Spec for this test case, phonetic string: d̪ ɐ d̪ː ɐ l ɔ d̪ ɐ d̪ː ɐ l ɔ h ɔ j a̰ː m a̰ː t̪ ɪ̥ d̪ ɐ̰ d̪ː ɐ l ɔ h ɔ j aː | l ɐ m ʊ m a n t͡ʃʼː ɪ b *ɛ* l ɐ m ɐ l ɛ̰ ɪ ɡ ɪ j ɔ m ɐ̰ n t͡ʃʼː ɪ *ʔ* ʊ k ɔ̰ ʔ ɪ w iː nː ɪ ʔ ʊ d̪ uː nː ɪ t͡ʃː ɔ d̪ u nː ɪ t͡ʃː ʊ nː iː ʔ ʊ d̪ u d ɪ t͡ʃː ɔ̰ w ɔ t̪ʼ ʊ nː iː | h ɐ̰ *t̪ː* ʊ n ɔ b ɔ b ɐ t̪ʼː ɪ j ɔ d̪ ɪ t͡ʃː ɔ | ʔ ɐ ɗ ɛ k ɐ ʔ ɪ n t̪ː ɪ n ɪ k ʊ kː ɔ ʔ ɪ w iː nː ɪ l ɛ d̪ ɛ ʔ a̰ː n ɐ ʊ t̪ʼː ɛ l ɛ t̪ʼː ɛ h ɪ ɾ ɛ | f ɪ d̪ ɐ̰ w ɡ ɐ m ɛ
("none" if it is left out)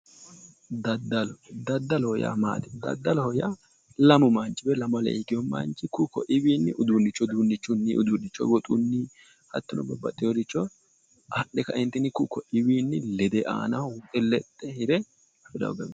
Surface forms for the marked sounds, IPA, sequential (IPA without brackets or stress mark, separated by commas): ɛ, k, t̪ː